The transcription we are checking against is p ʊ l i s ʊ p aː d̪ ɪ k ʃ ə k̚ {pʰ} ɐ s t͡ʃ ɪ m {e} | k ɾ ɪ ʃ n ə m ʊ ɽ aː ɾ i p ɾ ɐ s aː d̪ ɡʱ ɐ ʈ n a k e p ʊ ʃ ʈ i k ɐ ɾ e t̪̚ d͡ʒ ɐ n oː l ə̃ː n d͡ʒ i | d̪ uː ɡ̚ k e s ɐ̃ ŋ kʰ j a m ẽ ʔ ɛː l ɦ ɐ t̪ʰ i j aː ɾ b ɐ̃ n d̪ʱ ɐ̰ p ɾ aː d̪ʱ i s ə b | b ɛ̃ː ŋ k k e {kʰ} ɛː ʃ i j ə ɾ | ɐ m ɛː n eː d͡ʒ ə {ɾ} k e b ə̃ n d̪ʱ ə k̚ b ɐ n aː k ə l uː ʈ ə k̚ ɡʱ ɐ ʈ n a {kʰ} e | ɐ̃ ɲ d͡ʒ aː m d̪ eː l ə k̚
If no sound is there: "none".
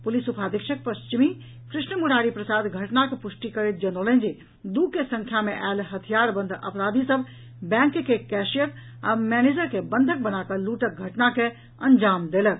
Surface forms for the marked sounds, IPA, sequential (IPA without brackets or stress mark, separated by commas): p, i, k, ɾ, k